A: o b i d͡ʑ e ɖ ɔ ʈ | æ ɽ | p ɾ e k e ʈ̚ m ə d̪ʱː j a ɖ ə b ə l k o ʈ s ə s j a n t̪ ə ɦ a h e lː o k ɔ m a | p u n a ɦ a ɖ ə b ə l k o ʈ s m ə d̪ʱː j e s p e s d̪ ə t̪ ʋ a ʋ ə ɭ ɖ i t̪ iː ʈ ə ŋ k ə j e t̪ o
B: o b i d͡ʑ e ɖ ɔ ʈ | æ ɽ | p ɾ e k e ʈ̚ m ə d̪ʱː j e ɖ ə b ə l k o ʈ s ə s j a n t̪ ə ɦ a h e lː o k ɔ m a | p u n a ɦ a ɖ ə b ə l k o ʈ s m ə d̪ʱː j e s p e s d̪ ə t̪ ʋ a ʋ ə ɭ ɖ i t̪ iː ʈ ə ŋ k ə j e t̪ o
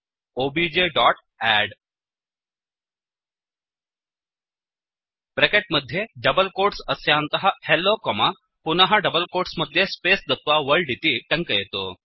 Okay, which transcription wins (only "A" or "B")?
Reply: B